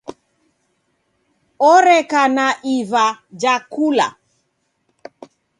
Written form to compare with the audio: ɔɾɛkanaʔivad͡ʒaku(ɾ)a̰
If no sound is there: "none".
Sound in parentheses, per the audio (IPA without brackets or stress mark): l